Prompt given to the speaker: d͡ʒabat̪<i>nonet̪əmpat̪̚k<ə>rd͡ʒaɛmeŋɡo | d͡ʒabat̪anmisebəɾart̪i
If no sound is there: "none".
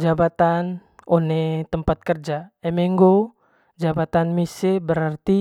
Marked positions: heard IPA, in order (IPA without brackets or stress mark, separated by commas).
a, ə